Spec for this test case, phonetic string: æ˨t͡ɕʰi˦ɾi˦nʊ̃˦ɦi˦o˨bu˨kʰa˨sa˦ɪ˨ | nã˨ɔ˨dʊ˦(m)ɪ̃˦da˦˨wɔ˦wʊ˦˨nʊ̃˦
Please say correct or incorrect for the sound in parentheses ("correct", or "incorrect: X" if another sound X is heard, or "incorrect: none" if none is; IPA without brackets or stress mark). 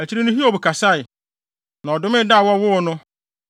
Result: correct